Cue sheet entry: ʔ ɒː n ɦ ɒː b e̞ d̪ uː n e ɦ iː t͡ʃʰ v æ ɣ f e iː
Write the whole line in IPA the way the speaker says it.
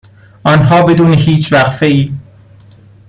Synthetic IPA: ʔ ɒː n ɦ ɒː b e̞ d̪ uː n e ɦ iː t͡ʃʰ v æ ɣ f e iː